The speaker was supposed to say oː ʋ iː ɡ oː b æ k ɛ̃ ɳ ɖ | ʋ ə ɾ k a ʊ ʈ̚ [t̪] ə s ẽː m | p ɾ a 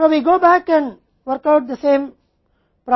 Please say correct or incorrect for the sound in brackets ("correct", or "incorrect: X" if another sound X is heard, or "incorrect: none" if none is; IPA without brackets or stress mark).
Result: incorrect: d̪